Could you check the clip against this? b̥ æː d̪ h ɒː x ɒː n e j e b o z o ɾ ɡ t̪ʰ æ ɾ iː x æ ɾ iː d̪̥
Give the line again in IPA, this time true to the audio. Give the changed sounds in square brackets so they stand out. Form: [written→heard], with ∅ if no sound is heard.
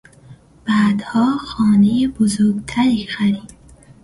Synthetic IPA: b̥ æː d̪ h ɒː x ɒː n e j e b o z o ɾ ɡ t̪ʰ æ ɾ iː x æ ɾ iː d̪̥